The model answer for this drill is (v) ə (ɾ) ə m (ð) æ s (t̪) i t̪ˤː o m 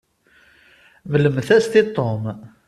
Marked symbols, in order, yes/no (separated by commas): yes, no, no, yes